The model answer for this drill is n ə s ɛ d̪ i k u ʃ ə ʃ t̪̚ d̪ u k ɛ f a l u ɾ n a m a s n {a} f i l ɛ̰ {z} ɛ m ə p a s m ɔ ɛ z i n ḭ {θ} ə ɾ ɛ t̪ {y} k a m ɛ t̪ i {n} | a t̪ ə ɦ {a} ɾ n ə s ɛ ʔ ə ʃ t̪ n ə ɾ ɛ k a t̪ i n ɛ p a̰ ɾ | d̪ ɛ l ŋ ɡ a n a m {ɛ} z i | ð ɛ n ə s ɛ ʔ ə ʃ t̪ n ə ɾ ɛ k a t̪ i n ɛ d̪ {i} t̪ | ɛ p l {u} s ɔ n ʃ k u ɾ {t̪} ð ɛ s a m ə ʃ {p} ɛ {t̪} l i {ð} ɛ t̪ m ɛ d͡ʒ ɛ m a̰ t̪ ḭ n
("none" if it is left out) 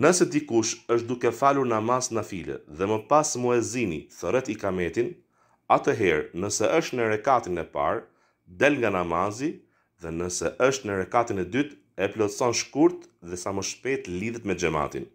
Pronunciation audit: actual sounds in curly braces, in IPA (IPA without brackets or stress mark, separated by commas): a, ð, θ, i, n, ɛ, a, y, ɔ, t̪, p, t̪, ð